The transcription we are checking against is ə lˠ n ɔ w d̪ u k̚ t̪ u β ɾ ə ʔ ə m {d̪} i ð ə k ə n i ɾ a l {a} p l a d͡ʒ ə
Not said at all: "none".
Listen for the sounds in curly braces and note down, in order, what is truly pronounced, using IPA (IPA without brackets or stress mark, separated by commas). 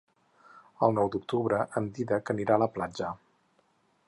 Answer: d̪, ə